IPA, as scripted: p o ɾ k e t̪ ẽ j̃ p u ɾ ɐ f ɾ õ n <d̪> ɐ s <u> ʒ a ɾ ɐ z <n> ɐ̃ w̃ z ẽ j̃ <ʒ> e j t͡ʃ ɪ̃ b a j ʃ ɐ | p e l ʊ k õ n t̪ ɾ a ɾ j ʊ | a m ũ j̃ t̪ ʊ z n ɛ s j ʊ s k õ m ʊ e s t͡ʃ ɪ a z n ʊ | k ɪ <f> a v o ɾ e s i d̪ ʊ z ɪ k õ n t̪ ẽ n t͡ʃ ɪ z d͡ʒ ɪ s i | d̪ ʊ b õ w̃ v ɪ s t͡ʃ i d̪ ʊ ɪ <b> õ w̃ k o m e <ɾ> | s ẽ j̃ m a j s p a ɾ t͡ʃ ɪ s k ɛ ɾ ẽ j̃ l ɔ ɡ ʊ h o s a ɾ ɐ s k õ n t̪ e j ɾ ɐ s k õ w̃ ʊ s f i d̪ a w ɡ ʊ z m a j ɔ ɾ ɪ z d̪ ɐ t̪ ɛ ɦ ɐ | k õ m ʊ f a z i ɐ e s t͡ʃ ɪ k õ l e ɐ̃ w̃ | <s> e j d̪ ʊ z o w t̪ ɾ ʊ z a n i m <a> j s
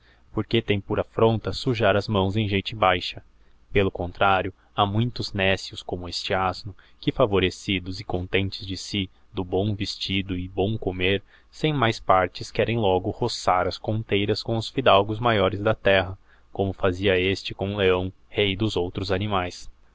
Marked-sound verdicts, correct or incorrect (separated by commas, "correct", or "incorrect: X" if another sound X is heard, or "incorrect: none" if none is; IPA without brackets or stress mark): incorrect: t̪, correct, incorrect: m, correct, correct, correct, correct, incorrect: h, correct